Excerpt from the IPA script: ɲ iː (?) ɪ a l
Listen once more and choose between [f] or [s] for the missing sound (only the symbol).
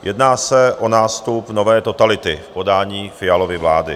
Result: f